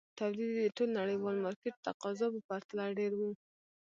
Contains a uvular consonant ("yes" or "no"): yes